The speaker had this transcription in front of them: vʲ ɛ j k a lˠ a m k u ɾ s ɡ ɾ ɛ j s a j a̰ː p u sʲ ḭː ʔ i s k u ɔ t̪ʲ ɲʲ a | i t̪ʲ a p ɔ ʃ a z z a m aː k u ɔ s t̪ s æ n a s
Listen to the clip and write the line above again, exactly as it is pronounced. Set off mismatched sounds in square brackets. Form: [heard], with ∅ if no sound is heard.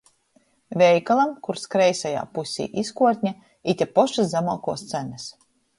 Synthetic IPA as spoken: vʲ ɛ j k a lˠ a m k u ɾ s [k] ɾ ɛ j s a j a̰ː p u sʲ ḭː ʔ i s k u ɔ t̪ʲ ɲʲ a | i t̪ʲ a p ɔ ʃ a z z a m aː k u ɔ s t̪ s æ n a s